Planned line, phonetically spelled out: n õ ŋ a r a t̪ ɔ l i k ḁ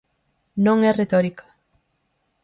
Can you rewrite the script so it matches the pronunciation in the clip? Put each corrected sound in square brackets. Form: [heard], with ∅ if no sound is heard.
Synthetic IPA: n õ ŋ [ɛ] r [e] t̪ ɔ [ɾ] i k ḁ